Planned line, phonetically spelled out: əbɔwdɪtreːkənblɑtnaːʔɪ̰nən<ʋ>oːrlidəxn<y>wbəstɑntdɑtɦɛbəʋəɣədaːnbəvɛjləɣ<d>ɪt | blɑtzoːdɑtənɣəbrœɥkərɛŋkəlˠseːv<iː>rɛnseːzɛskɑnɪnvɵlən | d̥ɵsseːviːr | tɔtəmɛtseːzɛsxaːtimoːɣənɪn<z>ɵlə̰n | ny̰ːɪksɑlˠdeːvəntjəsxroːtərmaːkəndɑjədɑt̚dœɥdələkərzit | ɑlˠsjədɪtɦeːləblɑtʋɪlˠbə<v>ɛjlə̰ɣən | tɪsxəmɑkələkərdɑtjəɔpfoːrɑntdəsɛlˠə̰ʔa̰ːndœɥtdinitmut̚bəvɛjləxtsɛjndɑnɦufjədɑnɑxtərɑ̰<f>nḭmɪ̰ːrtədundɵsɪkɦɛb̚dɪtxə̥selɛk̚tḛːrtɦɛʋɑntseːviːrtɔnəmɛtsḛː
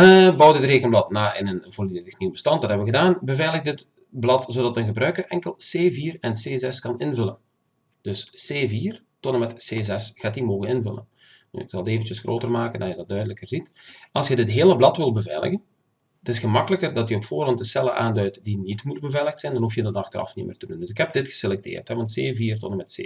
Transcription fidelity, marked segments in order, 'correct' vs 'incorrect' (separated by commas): incorrect, incorrect, correct, correct, incorrect, correct, correct